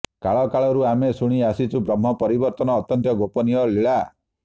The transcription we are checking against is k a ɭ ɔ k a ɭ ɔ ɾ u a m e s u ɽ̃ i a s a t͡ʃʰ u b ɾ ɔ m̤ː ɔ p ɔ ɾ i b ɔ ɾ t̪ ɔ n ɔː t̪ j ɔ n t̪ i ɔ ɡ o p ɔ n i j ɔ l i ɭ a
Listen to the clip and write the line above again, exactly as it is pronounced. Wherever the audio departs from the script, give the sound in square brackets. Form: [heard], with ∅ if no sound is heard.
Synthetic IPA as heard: k a ɭ ɔ k a ɭ ɔ ɾ u a m e s u ɽ̃ i a s [i] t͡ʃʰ u b ɾ ɔ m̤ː ɔ p ɔ ɾ i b ɔ ɾ t̪ ɔ n ɔː t̪ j ɔ n t̪ [j] ɔ ɡ o p ɔ n i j ɔ l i ɭ a